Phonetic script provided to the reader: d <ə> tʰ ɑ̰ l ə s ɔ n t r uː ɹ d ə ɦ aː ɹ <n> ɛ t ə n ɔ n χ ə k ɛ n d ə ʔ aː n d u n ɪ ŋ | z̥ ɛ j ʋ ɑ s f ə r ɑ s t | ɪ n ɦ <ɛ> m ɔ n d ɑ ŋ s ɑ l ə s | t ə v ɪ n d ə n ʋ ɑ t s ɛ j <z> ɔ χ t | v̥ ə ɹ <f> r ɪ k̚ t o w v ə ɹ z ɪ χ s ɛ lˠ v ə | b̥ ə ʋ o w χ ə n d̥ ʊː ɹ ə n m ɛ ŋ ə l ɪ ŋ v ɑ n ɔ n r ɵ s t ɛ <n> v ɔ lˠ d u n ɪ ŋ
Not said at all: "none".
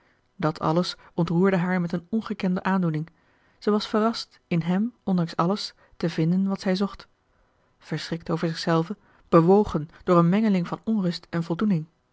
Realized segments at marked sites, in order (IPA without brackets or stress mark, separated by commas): ɑ, m, ɛ, z, s, n